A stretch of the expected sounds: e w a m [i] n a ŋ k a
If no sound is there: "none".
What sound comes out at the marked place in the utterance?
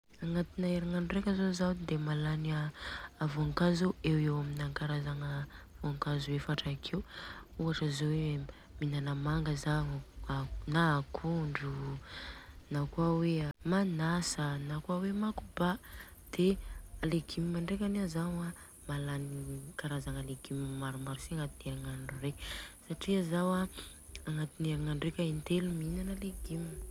i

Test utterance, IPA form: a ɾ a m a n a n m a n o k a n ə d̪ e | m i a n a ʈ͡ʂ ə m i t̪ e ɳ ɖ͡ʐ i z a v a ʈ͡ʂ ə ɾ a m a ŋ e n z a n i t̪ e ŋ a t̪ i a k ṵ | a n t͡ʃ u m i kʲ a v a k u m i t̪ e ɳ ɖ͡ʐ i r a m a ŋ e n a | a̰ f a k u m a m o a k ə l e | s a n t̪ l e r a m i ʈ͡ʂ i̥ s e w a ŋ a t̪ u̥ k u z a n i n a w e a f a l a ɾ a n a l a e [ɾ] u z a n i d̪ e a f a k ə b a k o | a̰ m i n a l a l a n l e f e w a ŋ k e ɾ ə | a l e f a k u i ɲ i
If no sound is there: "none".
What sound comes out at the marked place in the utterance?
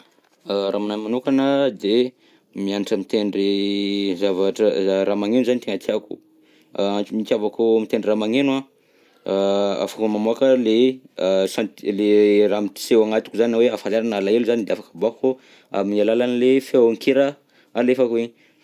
l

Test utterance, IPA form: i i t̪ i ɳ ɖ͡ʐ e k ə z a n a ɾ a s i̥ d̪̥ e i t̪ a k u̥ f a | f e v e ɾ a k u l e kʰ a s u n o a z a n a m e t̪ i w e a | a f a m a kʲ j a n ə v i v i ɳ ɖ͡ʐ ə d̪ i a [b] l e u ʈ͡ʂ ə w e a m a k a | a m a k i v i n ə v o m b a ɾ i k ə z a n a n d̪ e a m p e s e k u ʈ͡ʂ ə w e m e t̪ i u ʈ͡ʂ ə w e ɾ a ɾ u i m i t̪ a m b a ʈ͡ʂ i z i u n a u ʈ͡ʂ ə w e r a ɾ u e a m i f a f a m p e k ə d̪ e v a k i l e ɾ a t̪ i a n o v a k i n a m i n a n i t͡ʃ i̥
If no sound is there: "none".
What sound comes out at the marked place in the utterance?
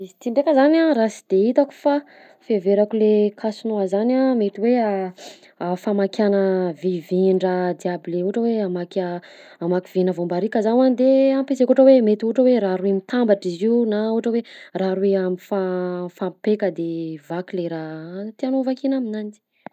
b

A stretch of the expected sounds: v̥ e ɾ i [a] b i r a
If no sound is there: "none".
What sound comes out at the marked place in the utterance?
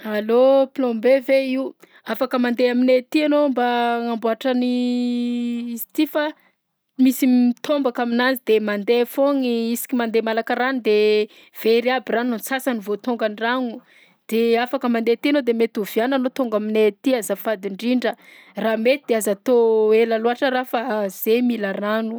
a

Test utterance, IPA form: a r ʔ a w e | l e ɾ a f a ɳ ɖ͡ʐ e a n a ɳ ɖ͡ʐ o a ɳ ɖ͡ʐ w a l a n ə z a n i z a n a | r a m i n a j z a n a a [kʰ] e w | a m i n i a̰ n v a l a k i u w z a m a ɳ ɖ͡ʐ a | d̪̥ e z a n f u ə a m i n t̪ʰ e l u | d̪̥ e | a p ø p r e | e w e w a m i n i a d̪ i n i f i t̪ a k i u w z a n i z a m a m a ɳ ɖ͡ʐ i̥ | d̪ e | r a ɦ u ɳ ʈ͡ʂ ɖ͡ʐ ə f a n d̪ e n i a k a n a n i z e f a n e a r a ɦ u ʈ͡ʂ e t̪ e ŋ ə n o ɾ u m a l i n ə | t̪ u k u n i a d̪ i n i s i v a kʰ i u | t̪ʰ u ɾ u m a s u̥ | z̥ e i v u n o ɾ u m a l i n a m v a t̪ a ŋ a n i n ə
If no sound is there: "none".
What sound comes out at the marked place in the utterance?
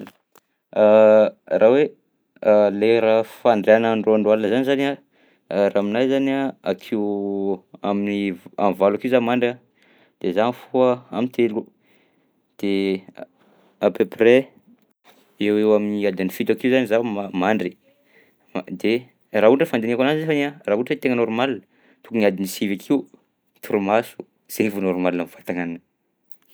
kʰ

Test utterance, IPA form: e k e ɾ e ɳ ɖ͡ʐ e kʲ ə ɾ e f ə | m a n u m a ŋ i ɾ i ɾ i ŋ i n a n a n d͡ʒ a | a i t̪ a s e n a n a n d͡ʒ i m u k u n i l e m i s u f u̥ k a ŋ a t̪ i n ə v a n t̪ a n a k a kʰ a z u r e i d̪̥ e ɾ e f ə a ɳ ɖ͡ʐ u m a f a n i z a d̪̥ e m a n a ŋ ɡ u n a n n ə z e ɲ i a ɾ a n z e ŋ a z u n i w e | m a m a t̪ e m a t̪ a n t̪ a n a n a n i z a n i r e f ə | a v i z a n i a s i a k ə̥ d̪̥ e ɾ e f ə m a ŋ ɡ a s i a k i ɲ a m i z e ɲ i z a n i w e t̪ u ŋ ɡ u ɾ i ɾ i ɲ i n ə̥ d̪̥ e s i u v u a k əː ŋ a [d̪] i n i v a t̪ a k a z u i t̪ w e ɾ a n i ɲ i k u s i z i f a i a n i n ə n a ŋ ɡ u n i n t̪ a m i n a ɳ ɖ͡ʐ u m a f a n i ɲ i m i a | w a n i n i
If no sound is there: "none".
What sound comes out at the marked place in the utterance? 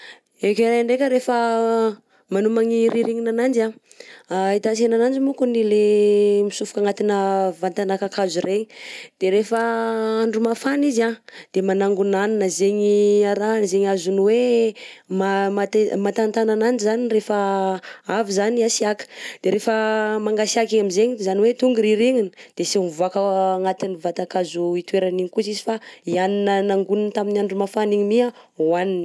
t̪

